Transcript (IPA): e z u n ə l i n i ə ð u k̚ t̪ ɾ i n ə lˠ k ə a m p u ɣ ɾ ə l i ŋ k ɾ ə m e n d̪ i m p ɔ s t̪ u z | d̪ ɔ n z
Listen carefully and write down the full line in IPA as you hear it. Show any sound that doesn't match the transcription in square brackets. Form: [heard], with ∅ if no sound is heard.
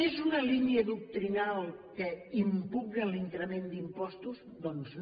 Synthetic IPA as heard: e z u n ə l i n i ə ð u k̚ t̪ ɾ i n [a] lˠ k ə [i] m p u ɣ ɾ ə l i ŋ k ɾ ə m e n d̪ i m p ɔ s t̪ u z | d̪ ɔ n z